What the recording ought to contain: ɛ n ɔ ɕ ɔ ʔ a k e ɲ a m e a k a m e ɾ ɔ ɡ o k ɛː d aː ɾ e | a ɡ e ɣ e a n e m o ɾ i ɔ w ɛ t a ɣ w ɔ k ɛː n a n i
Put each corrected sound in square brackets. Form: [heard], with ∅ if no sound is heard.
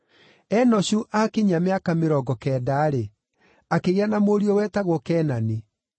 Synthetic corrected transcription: ɛ n ɔ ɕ [u] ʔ a k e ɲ a m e a k a m e ɾ ɔ ɡ [ɔ] k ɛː d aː ɾ e | a [k] e ɣ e a n [a] m o ɾ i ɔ w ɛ t a ɣ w ɔ k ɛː n a n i